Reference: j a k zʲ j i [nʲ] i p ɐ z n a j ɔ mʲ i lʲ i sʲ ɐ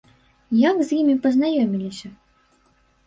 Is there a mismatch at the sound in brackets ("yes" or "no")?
yes